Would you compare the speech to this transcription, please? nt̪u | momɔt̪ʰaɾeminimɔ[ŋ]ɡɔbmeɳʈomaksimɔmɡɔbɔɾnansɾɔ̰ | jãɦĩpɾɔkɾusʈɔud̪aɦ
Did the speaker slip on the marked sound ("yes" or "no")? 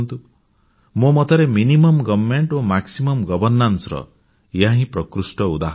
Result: yes